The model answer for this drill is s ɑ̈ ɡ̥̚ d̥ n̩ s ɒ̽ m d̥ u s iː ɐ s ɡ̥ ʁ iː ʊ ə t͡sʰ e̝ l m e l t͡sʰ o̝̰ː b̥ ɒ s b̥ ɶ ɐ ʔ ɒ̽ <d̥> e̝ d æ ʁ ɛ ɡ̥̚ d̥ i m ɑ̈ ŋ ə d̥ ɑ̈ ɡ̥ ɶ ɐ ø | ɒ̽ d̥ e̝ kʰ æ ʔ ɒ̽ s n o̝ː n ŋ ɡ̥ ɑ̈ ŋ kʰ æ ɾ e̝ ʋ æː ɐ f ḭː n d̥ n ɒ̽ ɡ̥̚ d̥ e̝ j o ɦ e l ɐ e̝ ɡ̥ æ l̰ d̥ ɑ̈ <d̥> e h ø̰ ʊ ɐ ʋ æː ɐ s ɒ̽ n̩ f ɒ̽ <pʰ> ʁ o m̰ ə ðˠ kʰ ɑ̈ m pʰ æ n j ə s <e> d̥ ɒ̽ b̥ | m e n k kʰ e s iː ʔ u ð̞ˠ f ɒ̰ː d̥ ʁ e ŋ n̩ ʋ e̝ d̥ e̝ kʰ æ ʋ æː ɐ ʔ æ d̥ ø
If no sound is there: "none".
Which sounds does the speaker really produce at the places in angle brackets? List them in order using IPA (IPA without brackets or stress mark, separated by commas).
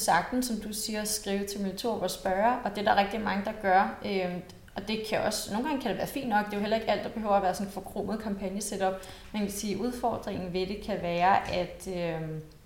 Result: d̥, b̥, kʰ, e